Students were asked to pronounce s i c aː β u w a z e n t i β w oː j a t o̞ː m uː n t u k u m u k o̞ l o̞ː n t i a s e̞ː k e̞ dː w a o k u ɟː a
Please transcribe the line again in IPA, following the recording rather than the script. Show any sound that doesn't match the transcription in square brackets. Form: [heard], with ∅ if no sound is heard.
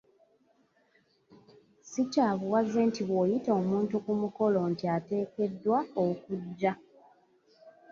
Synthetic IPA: s i c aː β u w a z e n t i β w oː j [i] t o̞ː m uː n t u k u m u k o̞ l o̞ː n t i a [t] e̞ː k e̞ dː w a o k u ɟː a